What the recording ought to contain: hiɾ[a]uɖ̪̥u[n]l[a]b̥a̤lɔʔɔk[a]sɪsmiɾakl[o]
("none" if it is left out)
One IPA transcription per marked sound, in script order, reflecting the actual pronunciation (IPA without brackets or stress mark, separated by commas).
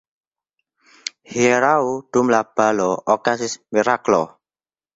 a, m, a, a, ɔ